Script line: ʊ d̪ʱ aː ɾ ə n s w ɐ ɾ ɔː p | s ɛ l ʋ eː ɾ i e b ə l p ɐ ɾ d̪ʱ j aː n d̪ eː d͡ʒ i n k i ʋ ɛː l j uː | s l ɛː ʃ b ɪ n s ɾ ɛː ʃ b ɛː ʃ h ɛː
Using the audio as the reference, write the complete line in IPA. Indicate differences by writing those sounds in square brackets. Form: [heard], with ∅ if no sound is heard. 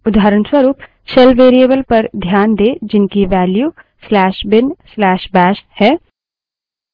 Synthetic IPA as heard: ʊ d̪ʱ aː ɾ ə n s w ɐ ɾ [uː] p | s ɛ l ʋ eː ɾ i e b ə l p ɐ ɾ d̪ʱ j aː n d̪ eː d͡ʒ [ɪ] n k i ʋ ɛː l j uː | s l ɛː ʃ b ɪ n s [l] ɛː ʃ b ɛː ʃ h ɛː